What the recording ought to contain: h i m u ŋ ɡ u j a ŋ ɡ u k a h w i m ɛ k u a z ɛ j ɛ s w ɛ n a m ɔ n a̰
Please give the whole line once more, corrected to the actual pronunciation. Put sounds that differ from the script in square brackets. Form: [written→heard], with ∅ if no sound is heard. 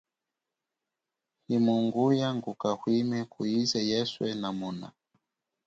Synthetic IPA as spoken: h i m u ŋ ɡ u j a ŋ ɡ u k a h w i m ɛ k u [a→i] z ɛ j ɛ s w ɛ n a m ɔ n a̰